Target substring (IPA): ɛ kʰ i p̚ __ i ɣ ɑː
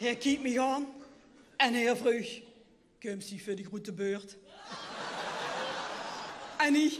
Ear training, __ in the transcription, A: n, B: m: B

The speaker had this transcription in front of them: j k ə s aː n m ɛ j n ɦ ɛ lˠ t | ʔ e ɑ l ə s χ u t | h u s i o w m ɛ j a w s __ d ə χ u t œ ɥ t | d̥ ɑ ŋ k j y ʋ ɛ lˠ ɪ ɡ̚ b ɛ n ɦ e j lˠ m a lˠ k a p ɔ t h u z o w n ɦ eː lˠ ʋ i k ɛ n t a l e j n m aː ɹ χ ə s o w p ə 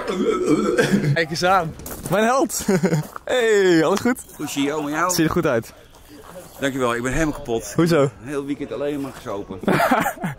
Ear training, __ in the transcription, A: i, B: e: A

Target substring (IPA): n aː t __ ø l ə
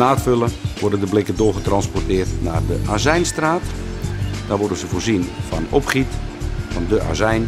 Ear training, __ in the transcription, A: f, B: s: A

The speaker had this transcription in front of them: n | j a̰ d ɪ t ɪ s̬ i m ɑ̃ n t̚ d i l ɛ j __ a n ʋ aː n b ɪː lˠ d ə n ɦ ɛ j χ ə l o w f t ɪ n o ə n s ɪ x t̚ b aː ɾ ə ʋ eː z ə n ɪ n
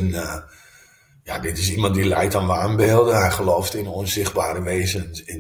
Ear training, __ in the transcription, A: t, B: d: A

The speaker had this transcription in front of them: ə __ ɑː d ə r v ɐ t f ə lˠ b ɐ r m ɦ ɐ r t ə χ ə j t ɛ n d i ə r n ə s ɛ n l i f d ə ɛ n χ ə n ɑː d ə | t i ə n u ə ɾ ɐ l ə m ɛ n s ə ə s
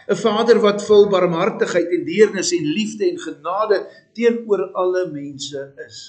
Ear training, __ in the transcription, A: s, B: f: B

